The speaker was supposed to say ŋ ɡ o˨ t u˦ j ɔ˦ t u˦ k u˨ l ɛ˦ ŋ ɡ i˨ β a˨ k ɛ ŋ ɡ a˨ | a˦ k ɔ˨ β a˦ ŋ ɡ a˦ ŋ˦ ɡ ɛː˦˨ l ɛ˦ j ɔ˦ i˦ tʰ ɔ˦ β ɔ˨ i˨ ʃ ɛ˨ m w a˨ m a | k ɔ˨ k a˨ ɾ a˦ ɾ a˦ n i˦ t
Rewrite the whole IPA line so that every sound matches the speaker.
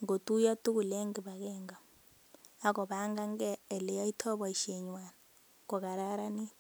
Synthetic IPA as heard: ŋ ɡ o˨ t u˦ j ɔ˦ t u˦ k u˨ l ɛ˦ ŋ ɡ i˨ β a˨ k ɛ ŋ ɡ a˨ | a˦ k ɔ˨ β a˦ ŋ ɡ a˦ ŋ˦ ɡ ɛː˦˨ l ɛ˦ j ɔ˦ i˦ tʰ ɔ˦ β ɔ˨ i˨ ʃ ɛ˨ ɲ w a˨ n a | k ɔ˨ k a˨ ɾ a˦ ɾ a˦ n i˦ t